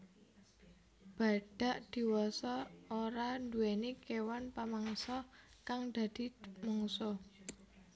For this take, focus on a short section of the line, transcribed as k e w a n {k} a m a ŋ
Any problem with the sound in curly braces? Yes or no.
yes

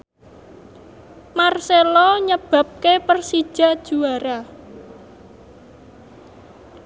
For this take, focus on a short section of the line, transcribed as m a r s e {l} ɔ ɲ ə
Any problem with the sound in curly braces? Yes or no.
no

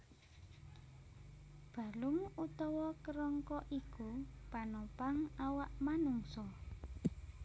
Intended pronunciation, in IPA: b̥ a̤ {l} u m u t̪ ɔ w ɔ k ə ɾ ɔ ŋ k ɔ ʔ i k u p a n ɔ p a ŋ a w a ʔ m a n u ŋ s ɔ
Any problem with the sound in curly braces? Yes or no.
no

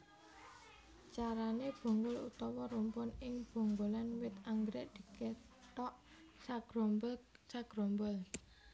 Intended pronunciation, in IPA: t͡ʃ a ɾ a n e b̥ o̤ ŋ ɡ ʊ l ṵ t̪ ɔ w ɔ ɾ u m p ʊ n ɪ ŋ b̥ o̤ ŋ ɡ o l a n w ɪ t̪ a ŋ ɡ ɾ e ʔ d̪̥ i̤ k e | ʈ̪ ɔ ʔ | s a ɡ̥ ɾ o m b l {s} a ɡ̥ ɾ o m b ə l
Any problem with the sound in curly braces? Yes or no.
no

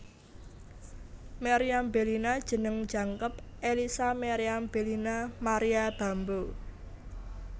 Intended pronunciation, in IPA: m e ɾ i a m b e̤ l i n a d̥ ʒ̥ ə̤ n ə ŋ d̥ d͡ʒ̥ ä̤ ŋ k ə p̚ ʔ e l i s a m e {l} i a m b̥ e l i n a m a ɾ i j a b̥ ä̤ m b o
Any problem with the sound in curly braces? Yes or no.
yes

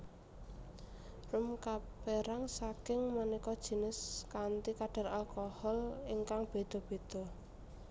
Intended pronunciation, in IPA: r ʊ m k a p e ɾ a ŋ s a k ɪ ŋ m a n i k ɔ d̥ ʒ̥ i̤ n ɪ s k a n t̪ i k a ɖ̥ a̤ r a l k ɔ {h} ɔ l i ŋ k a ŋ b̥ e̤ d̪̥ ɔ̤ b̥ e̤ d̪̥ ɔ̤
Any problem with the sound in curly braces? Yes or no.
no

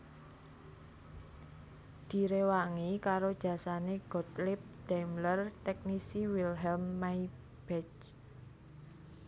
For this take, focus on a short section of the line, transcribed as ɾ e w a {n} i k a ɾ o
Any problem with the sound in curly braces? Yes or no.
yes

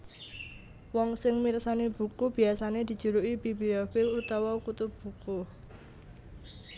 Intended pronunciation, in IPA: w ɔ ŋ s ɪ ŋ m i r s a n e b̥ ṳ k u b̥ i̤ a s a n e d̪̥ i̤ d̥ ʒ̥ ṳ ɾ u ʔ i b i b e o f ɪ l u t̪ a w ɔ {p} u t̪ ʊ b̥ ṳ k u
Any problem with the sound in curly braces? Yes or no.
yes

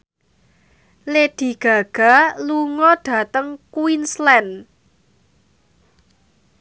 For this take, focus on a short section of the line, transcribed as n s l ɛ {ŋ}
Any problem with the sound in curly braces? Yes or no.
yes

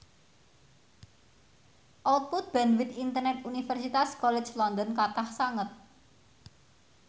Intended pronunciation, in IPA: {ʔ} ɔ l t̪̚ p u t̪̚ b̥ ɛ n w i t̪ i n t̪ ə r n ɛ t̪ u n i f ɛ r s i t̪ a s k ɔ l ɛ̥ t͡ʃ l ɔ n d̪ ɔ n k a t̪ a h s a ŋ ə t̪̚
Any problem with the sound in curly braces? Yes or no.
no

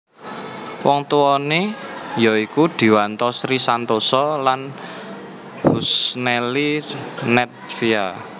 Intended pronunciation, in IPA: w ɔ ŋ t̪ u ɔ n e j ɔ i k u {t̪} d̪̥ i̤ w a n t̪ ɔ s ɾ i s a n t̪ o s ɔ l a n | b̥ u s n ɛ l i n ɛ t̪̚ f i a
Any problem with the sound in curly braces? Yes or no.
yes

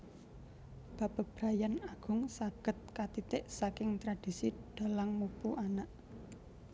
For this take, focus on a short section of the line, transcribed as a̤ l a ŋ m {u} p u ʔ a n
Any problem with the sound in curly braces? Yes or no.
no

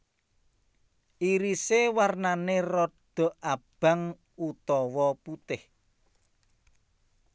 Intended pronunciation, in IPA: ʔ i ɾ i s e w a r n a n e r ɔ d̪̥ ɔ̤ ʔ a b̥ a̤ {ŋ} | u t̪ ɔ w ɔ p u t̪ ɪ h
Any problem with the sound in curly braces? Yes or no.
no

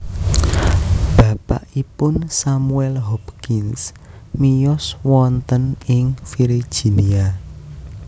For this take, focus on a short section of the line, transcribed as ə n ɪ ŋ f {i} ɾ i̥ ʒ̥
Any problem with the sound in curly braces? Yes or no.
no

